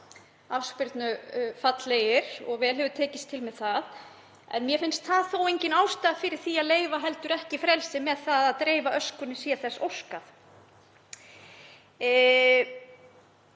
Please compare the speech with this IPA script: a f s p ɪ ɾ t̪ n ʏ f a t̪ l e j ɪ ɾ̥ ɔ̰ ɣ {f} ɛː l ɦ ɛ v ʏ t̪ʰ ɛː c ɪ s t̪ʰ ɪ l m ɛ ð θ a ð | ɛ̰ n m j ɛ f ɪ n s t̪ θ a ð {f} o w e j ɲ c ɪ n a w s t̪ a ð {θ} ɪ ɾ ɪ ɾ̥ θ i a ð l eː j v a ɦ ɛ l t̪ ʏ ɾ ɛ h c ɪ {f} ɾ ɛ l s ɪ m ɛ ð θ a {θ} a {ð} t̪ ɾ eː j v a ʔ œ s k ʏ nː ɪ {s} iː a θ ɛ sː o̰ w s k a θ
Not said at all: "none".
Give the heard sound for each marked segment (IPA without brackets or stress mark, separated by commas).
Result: v, θ, f, f, ð, ð, s